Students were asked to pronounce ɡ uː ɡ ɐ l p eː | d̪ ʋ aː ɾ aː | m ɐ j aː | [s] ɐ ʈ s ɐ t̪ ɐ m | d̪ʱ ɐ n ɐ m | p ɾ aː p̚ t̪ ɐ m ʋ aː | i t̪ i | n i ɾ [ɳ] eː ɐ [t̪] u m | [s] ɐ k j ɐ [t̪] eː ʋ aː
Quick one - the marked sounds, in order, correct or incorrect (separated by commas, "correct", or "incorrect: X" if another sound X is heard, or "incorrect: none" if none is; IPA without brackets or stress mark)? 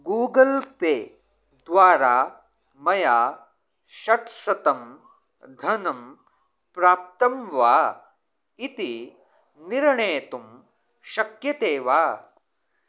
incorrect: ʃ, correct, correct, incorrect: ʃ, correct